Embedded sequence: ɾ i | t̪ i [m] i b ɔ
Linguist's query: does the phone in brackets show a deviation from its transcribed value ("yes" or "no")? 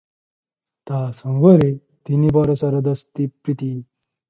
yes